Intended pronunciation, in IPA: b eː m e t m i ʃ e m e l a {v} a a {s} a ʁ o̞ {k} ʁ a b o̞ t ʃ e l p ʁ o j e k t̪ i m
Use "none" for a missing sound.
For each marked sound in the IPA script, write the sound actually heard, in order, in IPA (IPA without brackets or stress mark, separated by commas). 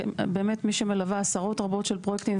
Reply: v, s, t